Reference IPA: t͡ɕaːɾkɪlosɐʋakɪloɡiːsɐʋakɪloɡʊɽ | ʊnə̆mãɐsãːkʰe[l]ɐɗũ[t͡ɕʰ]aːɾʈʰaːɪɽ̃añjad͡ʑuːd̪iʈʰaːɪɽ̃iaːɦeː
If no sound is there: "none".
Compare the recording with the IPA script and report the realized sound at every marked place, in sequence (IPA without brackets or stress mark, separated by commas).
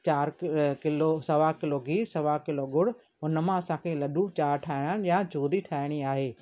l, t͡ɕ